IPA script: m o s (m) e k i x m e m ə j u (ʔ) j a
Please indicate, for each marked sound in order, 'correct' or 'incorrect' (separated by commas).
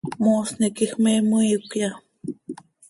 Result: incorrect, incorrect